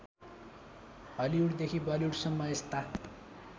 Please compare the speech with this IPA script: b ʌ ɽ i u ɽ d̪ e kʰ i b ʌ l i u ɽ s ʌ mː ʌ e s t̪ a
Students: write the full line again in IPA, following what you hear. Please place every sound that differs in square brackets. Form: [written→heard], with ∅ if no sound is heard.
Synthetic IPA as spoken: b ʌ [ɽ→l] i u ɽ d̪ e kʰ i b ʌ l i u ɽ s ʌ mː ʌ e s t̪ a